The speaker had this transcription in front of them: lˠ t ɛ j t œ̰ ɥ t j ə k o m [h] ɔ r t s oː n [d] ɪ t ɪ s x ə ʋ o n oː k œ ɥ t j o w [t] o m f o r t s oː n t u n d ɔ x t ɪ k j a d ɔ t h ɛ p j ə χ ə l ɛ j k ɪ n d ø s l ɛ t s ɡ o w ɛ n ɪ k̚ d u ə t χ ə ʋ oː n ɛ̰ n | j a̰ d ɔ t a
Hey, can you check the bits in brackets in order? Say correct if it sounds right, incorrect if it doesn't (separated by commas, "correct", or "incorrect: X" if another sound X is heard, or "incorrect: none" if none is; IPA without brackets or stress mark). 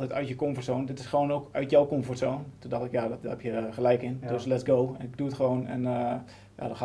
incorrect: f, correct, incorrect: k